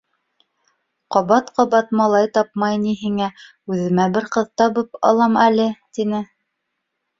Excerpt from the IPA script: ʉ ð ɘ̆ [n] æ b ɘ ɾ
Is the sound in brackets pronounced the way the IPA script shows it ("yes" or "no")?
no